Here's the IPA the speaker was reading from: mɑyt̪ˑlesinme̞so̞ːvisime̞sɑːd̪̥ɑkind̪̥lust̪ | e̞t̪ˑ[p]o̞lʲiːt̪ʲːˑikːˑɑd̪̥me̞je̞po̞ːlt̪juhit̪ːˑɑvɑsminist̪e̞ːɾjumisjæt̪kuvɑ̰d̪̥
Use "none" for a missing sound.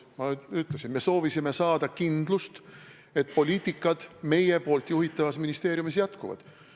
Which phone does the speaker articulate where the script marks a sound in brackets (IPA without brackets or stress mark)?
p